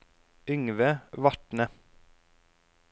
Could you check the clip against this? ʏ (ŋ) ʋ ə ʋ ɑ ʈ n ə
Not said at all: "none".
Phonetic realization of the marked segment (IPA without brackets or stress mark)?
ŋ